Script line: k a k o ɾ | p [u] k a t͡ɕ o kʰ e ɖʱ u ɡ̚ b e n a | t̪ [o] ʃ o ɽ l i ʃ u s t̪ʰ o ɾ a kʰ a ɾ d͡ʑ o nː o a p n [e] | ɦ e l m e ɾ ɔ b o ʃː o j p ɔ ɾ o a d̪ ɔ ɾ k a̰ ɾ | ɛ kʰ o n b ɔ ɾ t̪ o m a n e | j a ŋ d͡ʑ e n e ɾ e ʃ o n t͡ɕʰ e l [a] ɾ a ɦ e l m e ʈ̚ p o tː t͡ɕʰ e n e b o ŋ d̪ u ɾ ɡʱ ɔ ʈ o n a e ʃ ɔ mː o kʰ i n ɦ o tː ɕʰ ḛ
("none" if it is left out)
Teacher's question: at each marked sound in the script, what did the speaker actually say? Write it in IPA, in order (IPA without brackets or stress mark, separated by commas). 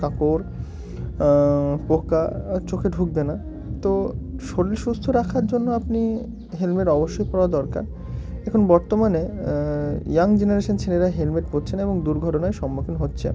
o, o, i, e